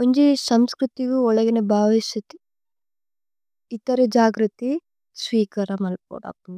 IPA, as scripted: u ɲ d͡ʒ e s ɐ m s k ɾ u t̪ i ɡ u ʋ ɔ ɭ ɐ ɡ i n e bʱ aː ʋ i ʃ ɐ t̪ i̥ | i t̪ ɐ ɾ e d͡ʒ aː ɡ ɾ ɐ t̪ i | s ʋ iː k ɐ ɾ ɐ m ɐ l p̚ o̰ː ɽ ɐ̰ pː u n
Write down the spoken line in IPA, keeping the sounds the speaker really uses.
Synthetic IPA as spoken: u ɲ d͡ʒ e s ɐ m s k ɾ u t̪ i ɡ u ɔ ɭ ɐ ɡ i n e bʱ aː ʋ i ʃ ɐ t̪ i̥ | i t̪ ɐ ɾ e d͡ʒ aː ɡ ɾ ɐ t̪ i | s ʋ iː k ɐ ɾ ɐ m ɐ l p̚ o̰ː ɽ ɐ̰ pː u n